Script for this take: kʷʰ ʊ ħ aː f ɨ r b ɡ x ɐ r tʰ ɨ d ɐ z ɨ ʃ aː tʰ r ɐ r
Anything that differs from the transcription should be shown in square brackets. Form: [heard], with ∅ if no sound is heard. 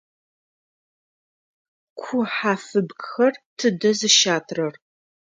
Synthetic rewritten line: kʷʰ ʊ ħ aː f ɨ [∅] b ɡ x ɐ r tʰ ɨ d ɐ z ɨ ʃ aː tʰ r ɐ r